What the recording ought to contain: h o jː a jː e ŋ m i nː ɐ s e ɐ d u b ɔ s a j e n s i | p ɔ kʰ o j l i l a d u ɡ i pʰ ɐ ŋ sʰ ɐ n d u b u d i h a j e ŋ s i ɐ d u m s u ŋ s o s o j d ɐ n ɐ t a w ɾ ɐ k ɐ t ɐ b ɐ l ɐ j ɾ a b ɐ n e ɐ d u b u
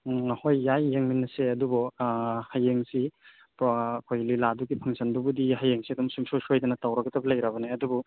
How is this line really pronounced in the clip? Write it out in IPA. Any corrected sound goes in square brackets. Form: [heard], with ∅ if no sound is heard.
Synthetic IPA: h o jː a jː e ŋ m i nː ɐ s e ɐ d u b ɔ [h] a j e [ŋ] s i | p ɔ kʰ o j l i l a d u ɡ i pʰ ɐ ŋ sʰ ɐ n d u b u d i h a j e ŋ s i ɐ d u m s u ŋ s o s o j d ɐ n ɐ t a w ɾ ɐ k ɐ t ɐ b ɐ l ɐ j ɾ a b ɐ n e ɐ d u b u